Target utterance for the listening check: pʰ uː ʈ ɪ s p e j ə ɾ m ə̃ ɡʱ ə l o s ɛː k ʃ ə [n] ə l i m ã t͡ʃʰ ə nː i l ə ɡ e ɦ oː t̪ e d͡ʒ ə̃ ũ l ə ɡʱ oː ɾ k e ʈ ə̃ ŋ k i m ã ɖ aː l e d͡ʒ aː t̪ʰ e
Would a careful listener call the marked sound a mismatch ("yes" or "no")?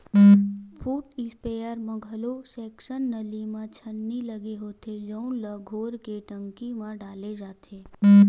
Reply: yes